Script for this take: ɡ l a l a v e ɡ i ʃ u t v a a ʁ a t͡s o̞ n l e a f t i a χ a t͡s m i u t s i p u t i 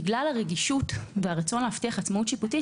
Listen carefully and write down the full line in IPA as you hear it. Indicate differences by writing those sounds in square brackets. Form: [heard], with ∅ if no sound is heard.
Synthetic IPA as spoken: ɡ l a l a [ʁ] e ɡ i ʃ u t v [e] a ʁ a t͡s o̞ n l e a f t i a χ a t͡s m [a] u t [ʃ] i p u t i